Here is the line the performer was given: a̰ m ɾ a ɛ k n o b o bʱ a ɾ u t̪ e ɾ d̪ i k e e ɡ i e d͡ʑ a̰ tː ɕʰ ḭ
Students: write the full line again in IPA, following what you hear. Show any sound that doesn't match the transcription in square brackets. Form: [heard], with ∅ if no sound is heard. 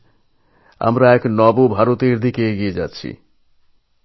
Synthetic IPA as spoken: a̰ m ɾ a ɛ k n [ɔ] b o bʱ a ɾ [o] t̪ e ɾ d̪ i k e e ɡ i e d͡ʑ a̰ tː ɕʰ ḭ